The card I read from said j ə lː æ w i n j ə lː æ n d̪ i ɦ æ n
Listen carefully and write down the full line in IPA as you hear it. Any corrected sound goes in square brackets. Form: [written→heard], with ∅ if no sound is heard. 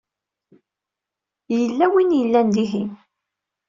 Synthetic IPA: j ə lː æ w i n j ə lː æ n d̪ i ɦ [æ→i] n